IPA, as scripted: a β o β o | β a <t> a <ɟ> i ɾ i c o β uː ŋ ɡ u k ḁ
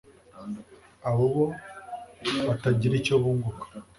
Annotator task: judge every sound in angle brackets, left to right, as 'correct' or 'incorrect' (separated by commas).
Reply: correct, correct